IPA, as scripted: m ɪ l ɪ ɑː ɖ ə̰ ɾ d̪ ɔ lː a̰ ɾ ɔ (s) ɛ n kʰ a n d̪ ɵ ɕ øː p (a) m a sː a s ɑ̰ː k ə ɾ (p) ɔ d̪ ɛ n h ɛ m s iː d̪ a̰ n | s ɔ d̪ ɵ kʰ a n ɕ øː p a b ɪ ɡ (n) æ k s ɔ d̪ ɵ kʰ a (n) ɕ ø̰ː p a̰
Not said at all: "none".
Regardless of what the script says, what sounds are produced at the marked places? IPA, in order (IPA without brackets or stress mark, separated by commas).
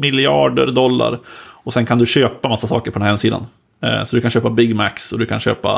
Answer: s, a, p, m, n